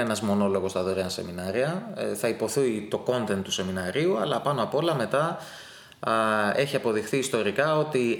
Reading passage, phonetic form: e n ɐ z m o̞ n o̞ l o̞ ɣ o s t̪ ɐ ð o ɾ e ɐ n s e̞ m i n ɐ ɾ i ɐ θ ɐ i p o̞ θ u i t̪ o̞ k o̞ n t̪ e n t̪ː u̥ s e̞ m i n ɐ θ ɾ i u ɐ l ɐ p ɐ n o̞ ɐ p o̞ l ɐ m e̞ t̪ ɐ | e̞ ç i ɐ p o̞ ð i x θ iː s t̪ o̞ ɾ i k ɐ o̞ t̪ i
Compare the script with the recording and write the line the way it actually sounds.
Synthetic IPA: e n ɐ z m o̞ n o̞ l o̞ ɣ o s t̪ ɐ ð o ɾ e ɐ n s e̞ m i n ɐ ɾ i ɐ θ ɐ i p o̞ θ u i t̪ o̞ k o̞ n t̪ e n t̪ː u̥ s e̞ m i n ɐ ɾ i u ɐ l ɐ p ɐ n o̞ ɐ p o̞ l ɐ m e̞ t̪ ɐ | e̞ ç i ɐ p o̞ ð i x θ iː s t̪ o̞ ɾ i k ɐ o̞ t̪ i